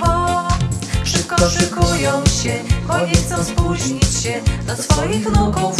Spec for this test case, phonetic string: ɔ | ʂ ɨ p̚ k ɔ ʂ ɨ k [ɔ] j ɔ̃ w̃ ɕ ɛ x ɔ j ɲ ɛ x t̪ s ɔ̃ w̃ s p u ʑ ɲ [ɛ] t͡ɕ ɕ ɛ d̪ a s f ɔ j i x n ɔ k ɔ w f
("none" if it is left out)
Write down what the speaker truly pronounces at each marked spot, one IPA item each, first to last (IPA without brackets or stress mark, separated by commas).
u, i